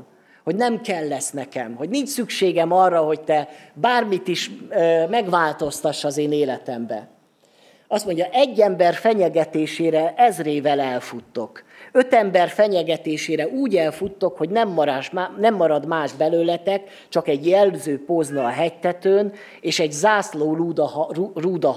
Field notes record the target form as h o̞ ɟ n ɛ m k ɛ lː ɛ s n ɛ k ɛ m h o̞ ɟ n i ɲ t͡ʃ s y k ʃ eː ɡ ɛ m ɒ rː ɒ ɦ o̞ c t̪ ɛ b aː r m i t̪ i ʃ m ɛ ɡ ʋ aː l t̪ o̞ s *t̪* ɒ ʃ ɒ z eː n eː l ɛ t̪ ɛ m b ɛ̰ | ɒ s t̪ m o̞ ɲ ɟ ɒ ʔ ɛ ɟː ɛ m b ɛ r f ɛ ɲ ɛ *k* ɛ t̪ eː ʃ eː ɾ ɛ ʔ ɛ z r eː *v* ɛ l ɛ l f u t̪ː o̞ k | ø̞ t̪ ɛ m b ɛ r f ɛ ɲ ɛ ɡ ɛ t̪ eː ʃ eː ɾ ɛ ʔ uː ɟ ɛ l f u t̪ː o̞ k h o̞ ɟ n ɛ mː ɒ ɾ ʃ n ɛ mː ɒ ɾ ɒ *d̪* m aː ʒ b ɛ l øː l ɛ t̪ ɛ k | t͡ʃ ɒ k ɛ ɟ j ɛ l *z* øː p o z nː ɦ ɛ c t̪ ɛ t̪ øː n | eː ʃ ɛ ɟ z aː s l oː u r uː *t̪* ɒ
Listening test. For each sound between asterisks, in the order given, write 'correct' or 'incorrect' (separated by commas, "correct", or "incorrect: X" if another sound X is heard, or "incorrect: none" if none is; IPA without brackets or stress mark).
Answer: correct, incorrect: ɡ, correct, correct, correct, incorrect: d̪